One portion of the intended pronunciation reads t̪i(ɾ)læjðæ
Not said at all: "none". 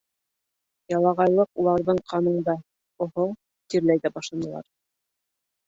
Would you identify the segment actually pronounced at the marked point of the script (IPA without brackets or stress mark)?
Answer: ɾ